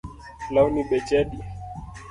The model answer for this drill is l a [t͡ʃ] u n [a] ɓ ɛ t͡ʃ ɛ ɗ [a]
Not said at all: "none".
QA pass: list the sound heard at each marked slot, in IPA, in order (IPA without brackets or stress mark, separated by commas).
none, i, i